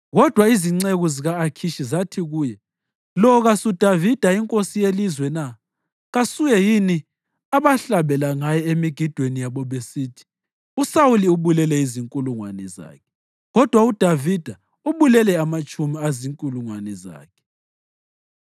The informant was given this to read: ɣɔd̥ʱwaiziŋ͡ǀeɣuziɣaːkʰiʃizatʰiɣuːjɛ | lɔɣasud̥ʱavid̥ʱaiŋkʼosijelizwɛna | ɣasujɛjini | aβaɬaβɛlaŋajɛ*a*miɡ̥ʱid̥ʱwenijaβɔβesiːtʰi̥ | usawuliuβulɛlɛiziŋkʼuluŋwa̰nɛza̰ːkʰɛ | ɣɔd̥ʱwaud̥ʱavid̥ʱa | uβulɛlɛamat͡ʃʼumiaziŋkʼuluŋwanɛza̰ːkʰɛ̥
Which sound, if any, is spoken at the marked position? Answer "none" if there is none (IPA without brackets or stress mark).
e